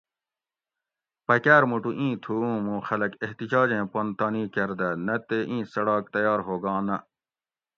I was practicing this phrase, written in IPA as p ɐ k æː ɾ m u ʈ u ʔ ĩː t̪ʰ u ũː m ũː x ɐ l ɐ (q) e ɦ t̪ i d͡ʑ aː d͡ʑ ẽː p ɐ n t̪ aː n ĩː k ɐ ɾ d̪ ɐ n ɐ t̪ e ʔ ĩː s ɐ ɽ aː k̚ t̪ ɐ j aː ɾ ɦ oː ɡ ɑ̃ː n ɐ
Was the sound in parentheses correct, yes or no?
no